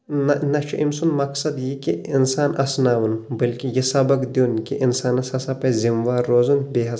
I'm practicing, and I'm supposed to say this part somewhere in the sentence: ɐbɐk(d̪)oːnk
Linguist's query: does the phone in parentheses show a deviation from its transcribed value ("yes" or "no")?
no